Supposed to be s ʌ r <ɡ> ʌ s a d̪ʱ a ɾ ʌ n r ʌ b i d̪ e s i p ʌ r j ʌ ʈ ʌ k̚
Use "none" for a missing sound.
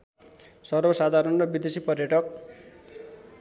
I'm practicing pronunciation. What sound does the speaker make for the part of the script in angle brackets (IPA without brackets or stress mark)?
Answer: b